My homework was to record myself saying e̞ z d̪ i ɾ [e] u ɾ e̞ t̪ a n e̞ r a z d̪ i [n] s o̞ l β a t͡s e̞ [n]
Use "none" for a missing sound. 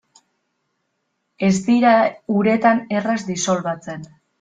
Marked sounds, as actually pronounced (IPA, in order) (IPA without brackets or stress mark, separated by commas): a, none, n